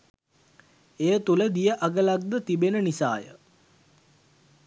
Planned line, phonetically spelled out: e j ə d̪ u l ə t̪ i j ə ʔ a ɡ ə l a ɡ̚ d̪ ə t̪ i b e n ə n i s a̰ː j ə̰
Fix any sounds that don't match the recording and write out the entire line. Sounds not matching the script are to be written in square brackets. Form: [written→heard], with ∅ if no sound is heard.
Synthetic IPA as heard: e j ə [d̪→t̪] u l ə [t̪→d̪] i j ə ʔ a ɡ ə l a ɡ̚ d̪ ə t̪ i b e n ə n i s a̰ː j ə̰